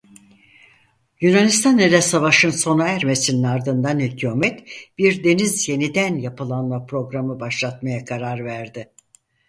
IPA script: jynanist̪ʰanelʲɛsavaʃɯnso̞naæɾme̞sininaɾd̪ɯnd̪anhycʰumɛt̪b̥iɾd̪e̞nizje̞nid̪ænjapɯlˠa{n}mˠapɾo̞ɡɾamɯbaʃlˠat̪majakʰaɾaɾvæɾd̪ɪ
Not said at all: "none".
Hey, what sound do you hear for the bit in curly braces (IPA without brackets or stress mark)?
n